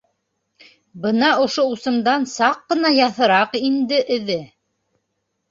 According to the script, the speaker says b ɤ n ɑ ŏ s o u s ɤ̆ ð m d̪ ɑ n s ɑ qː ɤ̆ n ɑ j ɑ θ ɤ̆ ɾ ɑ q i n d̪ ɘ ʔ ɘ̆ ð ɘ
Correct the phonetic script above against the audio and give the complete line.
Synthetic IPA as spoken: b ɤ n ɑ ŏ ʃ o u s ɤ̆ m d̪ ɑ n s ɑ qː ɤ̆ n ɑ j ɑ θ ɤ̆ ɾ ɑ q i n d̪ ɘ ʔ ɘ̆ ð ɘ

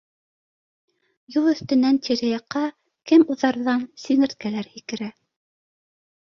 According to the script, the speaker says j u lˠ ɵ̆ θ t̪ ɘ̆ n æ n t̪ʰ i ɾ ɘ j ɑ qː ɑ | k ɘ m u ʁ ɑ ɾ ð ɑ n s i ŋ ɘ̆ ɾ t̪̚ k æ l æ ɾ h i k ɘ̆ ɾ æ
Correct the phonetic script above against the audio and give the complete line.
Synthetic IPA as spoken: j u lˠ ɵ̆ θ t̪ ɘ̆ n æ n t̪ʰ i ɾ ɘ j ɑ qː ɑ | k ɘ m u ð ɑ ɾ ð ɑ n s i ŋ ɘ̆ ɾ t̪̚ k æ l æ ɾ h i k ɘ̆ ɾ æ

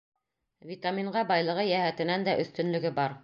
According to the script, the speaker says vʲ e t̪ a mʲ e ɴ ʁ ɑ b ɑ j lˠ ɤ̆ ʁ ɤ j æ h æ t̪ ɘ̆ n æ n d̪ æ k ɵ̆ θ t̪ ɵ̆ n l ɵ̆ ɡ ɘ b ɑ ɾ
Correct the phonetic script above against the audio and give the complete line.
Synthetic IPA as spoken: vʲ i t̪ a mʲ i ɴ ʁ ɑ b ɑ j lˠ ɤ̆ ʁ ɤ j æ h æ t̪ ɘ̆ n æ n d̪ æ ʔ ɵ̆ θ t̪ ɵ̆ n l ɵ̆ ɡ ɘ b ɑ ɾ

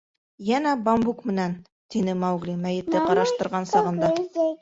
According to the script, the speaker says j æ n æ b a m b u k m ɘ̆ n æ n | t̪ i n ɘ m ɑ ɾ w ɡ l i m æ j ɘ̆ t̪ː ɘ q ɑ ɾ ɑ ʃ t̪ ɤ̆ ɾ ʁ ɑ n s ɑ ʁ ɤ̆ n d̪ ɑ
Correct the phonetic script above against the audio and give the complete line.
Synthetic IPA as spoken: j æ n æ b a m b u k m ɘ̆ n æ n | t̪ i n ɘ m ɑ w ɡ l i m æ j ɘ̆ t̪ː ɘ q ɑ ɾ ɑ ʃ t̪ ɤ̆ ɾ ʁ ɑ n s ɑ ʁ ɤ̆ n d̪ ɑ

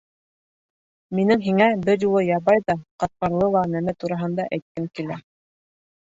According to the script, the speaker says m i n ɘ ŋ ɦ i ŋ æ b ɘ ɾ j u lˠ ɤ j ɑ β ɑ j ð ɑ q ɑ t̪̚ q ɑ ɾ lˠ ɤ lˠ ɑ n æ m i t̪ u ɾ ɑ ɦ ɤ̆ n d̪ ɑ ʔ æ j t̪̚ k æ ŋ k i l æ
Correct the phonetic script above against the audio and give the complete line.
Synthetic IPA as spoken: m i n ɘ ŋ ɦ i ŋ æ b ɘ ɾ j u lˠ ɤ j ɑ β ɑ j ð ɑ q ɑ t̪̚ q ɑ ɾ lˠ ɤ lˠ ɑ n æ m æ t̪ u ɾ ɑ ɦ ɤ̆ n d̪ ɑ ʔ æ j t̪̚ k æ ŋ k i l æ

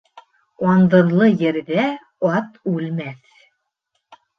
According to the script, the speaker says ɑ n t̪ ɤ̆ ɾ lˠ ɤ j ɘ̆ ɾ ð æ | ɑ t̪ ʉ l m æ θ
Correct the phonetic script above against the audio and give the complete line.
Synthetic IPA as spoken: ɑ n d̪ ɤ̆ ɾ lˠ ɤ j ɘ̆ ɾ ð æ | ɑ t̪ ʉ l m æ θ

